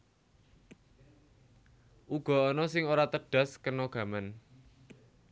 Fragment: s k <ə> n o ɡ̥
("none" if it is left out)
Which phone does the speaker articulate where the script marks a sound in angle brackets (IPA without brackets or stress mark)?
ə